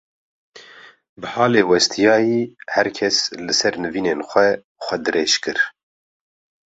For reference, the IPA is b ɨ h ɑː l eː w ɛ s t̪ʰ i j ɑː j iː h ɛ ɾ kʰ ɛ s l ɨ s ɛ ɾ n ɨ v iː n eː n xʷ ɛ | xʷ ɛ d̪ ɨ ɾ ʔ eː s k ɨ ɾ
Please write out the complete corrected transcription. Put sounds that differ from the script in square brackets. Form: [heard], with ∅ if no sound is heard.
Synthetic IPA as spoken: b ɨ h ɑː l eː w ɛ s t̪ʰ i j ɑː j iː h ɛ ɾ kʰ ɛ s l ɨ s ɛ ɾ n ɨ v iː n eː n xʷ ɛ | xʷ ɛ d̪ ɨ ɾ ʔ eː [ʃ] k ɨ ɾ